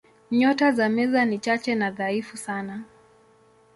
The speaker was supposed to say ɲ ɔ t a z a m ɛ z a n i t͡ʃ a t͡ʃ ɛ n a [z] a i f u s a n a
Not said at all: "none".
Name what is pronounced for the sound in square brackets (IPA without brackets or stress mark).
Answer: ð